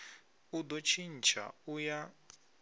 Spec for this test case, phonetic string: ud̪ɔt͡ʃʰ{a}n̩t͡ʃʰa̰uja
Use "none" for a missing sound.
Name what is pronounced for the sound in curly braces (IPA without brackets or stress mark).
i